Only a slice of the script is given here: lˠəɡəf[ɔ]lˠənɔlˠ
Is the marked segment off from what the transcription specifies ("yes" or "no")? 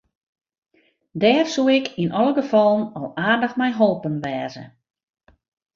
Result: no